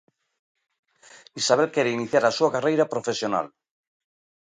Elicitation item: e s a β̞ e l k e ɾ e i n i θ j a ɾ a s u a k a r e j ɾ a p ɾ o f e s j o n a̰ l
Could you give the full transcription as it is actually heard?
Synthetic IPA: i s a β̞ e l k e ɾ e i n i θ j a ɾ a s u a k a r e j ɾ a p ɾ o f e s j o n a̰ l